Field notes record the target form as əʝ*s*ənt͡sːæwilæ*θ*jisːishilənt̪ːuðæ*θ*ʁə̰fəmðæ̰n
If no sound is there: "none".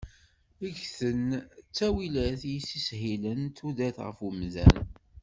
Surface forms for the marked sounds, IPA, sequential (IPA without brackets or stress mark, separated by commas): θ, θ, θ